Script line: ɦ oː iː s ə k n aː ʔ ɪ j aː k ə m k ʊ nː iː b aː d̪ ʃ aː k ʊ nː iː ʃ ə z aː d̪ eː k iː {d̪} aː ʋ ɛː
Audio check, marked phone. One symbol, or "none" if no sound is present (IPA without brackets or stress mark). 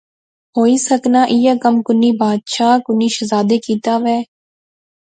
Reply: t̪